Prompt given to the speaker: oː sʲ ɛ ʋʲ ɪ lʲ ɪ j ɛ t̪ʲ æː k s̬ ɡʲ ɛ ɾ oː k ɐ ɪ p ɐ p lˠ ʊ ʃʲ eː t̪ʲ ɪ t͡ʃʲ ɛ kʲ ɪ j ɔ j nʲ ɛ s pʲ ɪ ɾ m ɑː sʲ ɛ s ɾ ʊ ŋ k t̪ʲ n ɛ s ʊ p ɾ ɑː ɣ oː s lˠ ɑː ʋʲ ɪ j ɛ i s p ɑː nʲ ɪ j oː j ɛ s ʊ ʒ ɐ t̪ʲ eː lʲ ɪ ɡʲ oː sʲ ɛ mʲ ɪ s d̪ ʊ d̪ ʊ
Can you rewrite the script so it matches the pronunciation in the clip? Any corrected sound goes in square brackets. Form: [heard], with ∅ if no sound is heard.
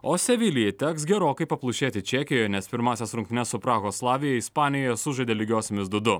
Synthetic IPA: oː sʲ ɛ ʋʲ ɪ lʲ ɪ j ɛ t̪ʲ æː k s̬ ɡʲ ɛ ɾ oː k ɐ ɪ p ɐ p lˠ ʊ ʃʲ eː t̪ʲ ɪ t͡ʃʲ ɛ kʲ ɪ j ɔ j nʲ ɛ s pʲ ɪ ɾ m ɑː sʲ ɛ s ɾ ʊ ŋ k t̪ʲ n ɛ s ʊ p ɾ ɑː ɣ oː s lˠ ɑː ʋʲ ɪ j ɛ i s p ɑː nʲ ɪ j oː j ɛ s ʊ ʒ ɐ [d̪ʲ] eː lʲ ɪ ɡʲ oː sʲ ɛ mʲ ɪ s d̪ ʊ d̪ ʊ